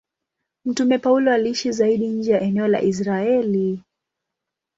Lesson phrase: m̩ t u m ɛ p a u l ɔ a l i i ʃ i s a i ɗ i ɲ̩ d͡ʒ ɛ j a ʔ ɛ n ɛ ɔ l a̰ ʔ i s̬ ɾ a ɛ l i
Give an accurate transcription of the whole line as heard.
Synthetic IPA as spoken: m̩ t u m ɛ p a u l ɔ a l i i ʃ i z a i ɗ i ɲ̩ d͡ʒ ɛ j a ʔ ɛ n ɛ ɔ l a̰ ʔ i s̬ ɾ a ɛ l i